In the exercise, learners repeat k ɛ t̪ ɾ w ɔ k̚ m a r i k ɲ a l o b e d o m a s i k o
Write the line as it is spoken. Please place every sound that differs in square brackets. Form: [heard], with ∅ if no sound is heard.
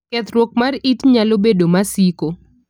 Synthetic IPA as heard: k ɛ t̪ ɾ w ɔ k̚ m a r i [t] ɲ a l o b e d o m a s i k o